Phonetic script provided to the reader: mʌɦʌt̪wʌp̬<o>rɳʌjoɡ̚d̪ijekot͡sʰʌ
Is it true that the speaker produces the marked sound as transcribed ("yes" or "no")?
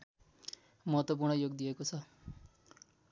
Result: no